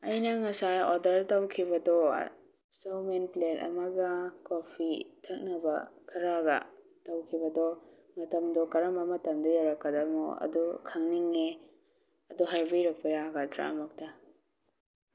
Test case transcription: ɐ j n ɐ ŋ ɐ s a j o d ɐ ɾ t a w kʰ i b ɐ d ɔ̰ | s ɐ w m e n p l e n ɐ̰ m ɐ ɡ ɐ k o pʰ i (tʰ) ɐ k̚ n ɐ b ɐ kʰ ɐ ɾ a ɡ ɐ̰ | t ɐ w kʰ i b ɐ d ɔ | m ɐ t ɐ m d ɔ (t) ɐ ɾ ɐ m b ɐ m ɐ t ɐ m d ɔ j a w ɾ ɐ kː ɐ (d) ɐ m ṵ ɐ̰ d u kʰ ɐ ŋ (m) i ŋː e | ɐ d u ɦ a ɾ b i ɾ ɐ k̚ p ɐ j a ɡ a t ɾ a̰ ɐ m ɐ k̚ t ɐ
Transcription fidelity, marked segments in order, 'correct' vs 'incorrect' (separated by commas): correct, incorrect, correct, incorrect